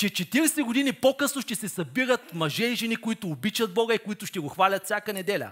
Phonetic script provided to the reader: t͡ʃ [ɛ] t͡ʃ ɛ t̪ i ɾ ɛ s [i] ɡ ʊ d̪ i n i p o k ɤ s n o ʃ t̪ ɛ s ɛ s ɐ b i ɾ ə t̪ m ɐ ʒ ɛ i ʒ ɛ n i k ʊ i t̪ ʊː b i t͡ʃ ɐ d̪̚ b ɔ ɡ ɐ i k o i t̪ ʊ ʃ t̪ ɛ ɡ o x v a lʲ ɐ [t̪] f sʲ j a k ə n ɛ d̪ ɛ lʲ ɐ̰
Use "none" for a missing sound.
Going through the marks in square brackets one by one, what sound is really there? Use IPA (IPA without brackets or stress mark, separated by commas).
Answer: ɛ, ɛ, t̪